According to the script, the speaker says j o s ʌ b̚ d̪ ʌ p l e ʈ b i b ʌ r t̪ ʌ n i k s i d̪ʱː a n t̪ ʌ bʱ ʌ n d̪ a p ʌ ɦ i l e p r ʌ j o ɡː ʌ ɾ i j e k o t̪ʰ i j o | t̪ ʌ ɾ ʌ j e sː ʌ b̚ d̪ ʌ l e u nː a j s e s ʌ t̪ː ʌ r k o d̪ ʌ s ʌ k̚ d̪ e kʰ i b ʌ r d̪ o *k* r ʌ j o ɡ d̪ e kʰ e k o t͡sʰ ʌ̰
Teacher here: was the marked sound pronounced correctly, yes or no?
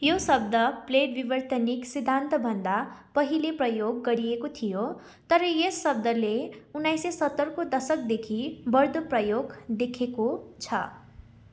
no